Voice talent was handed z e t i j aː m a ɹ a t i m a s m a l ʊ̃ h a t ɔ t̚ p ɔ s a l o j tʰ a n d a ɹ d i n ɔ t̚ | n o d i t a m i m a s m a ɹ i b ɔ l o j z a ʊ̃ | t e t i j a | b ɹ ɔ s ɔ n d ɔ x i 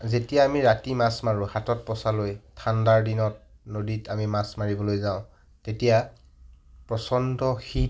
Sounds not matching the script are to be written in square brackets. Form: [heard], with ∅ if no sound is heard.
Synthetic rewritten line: z e t i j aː m [i] ɹ a t i m a s m a [ɹ] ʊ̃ h a t ɔ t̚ p ɔ s a l o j tʰ a n d a ɹ d i n ɔ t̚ | n o d i t a m i m a s m a ɹ i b ɔ l o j z a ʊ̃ | t e t i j a | [p] ɹ ɔ s ɔ n d ɔ x i